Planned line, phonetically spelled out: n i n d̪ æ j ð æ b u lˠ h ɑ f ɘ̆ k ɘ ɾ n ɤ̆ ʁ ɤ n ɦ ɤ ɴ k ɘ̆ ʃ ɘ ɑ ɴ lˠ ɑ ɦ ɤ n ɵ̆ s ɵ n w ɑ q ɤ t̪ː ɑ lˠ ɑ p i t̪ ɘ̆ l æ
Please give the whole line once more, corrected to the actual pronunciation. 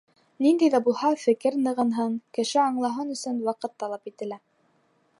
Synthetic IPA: n i n d̪ æ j ð æ b u lˠ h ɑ f ɘ̆ k ɘ ɾ n ɤ̆ ʁ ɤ n ɦ ɤ ɴ k ɘ̆ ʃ ɘ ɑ ɴ lˠ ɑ ɦ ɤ n ɵ̆ s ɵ n w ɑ q ɤ t̪ː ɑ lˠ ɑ p i t̪ ɘ̆ l æ